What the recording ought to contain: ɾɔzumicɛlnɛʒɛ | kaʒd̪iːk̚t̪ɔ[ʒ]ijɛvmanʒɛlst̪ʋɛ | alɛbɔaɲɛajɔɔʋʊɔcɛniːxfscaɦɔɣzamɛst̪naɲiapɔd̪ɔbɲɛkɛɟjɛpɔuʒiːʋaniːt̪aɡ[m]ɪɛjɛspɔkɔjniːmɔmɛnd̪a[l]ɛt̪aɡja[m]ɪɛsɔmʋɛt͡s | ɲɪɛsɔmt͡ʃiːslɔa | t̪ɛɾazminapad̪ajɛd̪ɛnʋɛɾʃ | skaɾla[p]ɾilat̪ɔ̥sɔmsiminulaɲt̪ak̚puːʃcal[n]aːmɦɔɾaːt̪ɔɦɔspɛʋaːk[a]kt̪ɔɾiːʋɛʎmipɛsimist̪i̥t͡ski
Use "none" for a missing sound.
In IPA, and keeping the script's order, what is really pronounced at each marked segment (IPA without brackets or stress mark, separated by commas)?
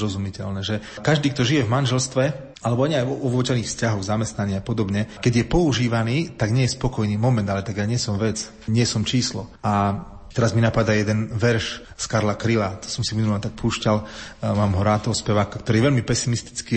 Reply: ʒ, ɲ, l, ɲ, k, m, a